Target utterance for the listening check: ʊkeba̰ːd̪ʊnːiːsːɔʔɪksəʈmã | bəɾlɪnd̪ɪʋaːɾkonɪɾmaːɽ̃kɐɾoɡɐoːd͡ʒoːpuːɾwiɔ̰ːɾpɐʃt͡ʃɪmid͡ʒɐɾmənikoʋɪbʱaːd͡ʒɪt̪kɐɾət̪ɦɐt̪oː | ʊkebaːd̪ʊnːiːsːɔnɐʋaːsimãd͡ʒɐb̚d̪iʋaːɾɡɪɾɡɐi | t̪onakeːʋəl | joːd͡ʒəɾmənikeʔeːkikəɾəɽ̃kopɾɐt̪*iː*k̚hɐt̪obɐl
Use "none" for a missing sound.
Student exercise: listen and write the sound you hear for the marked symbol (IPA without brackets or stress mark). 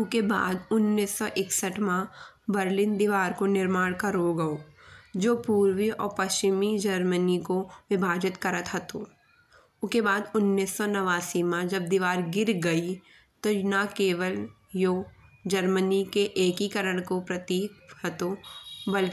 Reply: iː